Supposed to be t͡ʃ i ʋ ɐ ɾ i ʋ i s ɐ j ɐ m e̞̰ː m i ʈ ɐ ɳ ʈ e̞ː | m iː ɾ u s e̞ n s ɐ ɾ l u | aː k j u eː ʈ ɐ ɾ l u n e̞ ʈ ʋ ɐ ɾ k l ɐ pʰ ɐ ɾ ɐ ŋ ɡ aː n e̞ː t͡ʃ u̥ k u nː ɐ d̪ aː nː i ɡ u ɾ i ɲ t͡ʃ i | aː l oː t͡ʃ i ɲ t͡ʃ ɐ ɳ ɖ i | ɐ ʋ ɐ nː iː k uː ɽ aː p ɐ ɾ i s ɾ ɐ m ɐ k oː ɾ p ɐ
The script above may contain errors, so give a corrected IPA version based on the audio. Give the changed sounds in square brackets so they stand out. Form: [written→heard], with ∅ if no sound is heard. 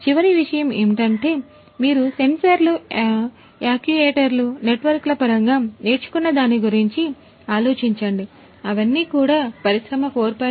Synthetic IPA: t͡ʃ i ʋ ɐ ɾ i ʋ i [s→ʂ] ɐ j ɐ m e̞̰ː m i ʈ ɐ ɳ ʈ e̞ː | m iː ɾ u s e̞ n s ɐ ɾ l u | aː k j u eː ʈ ɐ ɾ l u n e̞ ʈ ʋ ɐ ɾ k l ɐ [pʰ→p] ɐ ɾ ɐ ŋ ɡ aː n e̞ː t͡ʃ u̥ k u nː ɐ d̪ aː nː i ɡ u ɾ i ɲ t͡ʃ i | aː l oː t͡ʃ i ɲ t͡ʃ ɐ ɳ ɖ i | ɐ ʋ ɐ nː iː k uː ɽ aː p ɐ ɾ i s ɾ ɐ m ɐ k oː ɾ p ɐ